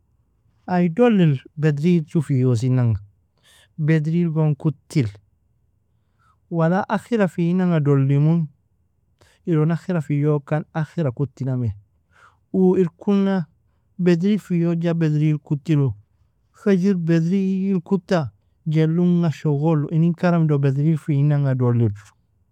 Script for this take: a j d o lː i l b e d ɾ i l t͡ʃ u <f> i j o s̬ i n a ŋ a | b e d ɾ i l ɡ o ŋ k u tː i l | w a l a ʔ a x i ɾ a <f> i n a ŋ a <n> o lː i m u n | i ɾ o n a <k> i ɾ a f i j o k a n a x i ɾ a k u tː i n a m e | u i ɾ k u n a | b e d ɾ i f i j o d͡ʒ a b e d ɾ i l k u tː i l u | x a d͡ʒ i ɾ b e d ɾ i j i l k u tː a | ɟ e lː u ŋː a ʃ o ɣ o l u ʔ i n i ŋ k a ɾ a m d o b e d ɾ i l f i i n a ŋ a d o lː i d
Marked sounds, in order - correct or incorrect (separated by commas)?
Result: correct, correct, incorrect, incorrect